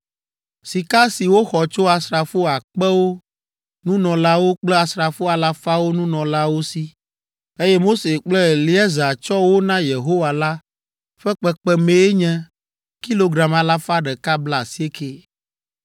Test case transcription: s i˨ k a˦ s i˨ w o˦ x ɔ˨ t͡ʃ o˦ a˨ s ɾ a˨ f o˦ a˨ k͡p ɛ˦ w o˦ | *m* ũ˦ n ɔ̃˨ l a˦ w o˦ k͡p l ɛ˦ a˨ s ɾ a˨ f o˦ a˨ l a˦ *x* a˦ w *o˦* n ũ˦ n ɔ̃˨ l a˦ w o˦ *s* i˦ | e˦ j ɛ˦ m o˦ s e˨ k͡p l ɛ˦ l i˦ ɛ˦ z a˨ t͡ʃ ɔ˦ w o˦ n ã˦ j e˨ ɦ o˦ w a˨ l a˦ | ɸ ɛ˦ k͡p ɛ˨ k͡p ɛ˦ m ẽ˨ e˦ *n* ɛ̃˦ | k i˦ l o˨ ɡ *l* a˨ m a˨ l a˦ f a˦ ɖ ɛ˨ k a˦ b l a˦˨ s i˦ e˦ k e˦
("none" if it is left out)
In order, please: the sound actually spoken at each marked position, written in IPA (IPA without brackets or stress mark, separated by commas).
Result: n, f, o˦, s, ɲ, ɾ